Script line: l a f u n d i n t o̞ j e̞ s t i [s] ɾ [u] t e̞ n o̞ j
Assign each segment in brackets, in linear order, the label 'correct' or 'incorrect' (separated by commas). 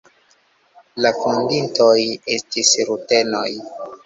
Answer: correct, correct